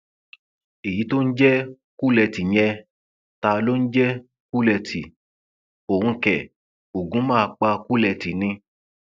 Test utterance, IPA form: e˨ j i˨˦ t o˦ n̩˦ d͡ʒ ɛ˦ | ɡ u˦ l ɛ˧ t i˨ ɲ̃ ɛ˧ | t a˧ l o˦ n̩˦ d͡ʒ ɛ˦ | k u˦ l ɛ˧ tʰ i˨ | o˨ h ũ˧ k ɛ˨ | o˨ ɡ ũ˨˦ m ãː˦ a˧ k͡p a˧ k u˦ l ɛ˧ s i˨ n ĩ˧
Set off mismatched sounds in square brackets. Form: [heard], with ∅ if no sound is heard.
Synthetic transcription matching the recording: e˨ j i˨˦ t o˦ n̩˦ d͡ʒ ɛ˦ | [k] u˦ l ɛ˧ t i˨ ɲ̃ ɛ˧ | t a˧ l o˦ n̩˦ d͡ʒ ɛ˦ | k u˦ l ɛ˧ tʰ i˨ | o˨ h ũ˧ k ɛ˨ | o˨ ɡ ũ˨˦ m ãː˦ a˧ k͡p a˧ k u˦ l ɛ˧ [t] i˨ n ĩ˧